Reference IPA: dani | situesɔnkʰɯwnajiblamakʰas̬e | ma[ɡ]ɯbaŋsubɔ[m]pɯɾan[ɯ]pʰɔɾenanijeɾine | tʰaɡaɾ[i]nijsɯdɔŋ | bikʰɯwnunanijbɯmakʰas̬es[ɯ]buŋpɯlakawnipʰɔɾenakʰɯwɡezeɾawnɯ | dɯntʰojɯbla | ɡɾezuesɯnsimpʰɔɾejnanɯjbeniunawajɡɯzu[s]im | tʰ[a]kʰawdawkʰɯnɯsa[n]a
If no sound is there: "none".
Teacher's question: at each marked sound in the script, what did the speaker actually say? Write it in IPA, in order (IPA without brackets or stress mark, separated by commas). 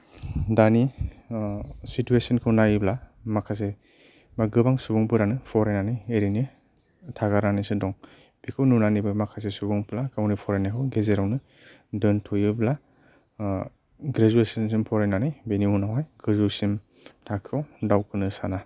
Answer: ɡ, ŋ, ɯ, a, u, s, a, n